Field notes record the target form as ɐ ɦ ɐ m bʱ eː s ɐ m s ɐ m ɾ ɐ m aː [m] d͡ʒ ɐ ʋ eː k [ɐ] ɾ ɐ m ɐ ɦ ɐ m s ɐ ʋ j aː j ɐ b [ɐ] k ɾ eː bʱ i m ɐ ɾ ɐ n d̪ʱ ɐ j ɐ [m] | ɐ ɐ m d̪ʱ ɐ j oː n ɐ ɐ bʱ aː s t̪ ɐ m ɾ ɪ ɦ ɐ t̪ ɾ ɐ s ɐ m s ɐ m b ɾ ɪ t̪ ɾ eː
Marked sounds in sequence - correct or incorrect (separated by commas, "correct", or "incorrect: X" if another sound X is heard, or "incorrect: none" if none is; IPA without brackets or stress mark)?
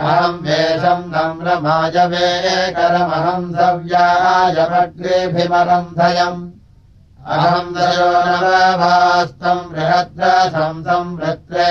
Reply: incorrect: none, correct, correct, correct